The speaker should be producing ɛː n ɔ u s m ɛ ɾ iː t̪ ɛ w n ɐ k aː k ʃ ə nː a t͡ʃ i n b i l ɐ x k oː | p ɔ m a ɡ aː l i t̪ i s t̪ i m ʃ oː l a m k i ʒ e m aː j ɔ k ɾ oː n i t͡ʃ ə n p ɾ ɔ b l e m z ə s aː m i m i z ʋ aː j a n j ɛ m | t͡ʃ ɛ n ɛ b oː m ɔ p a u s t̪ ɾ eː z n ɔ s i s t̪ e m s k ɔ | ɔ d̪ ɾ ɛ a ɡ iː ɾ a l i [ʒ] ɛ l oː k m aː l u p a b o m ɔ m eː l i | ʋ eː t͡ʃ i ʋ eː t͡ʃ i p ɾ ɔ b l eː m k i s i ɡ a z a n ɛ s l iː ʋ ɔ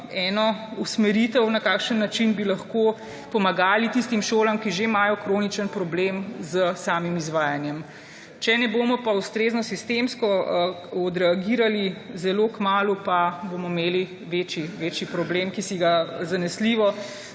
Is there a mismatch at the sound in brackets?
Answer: yes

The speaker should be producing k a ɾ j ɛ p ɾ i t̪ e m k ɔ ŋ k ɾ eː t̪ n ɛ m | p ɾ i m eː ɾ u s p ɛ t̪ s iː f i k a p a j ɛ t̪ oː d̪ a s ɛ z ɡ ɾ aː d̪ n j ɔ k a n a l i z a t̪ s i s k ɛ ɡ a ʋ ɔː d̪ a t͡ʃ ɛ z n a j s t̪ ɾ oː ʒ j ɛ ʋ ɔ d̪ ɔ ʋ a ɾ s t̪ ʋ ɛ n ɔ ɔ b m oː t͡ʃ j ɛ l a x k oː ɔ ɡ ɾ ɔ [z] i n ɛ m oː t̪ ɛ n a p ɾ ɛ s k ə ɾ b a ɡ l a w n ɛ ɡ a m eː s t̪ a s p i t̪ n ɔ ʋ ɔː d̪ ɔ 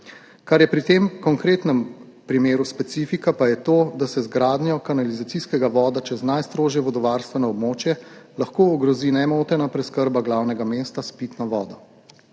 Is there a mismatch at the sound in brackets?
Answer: no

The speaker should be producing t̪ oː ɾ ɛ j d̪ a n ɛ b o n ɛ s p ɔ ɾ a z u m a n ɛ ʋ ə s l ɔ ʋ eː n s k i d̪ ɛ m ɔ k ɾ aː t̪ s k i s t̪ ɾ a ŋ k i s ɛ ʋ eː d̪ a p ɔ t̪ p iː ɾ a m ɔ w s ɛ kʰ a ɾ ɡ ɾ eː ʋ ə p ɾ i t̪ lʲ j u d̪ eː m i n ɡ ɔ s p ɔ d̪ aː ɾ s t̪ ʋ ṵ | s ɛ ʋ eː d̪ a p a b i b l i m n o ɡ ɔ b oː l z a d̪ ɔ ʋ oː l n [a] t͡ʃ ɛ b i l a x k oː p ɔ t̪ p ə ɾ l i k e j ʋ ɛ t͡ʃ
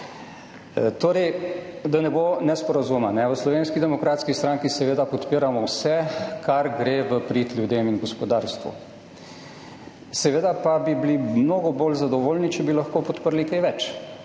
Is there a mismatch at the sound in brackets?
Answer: yes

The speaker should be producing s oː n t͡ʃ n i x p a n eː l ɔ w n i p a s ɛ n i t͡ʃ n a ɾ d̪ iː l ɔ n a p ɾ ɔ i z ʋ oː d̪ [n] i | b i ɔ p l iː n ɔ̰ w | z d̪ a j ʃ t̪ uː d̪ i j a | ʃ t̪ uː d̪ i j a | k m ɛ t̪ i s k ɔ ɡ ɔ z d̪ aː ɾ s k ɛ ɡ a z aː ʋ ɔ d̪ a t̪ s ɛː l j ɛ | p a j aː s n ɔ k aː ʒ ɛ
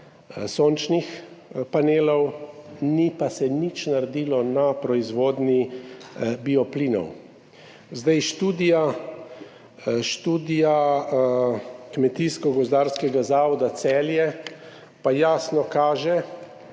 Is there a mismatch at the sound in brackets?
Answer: no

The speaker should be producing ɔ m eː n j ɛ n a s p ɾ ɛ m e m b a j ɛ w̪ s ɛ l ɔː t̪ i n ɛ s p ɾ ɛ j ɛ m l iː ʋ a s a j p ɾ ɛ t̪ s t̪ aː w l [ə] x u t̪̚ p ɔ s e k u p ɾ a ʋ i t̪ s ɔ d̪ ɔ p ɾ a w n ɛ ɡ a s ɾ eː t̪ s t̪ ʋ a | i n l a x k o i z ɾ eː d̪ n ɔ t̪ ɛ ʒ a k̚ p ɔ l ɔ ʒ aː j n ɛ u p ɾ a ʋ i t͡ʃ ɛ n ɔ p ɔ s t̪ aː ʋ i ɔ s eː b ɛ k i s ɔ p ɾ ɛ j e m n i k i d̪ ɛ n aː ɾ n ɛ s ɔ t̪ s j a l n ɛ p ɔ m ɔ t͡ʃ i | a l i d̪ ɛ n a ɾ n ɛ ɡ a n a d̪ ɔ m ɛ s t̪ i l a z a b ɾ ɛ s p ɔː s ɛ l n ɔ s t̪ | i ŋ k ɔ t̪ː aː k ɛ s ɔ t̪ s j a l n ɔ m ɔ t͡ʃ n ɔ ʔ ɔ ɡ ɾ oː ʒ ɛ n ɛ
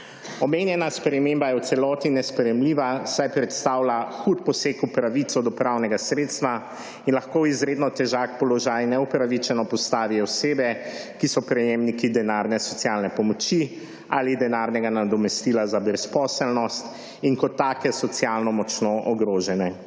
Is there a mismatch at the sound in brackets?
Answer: yes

